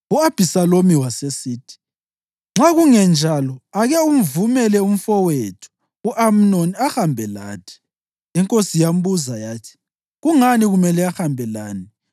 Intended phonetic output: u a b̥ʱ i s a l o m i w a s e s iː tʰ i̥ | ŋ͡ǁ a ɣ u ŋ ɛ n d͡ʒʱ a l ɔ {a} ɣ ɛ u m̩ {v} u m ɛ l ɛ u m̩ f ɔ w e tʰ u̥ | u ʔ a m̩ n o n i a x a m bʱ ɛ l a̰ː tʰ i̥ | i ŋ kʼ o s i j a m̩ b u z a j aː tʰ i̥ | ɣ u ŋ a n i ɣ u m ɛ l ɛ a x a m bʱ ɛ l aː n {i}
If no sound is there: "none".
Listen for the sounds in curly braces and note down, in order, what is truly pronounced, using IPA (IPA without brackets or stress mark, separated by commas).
a, v, i